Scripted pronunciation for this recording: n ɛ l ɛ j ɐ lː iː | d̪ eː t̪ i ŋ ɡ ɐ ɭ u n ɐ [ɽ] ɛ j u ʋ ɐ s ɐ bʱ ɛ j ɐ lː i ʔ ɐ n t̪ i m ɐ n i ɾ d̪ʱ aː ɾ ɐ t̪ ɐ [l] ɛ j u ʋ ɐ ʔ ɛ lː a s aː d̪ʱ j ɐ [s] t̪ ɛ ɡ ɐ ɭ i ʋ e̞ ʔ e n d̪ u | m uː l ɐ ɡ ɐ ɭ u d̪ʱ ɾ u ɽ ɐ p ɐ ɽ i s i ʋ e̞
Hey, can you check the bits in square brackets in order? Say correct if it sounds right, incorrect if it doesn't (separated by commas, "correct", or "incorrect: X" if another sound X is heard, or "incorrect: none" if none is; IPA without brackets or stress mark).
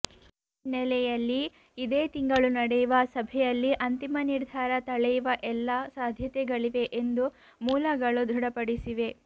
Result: correct, incorrect: ɭ, incorrect: none